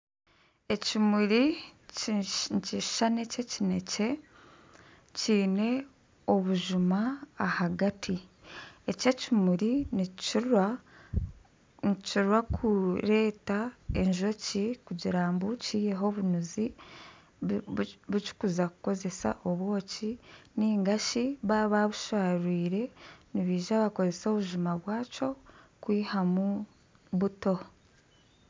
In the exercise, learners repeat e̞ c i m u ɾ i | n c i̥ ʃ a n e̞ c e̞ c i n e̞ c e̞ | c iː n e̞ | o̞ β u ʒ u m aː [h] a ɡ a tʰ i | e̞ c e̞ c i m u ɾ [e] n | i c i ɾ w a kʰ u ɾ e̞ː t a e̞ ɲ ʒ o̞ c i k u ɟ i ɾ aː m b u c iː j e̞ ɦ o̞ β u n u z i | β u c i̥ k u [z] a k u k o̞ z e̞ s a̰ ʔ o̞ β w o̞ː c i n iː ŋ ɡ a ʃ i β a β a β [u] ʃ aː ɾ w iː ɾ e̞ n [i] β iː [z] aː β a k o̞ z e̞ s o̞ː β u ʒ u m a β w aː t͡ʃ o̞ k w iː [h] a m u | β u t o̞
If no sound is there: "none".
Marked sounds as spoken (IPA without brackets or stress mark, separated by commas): h, i, z, u, i, ʒ, h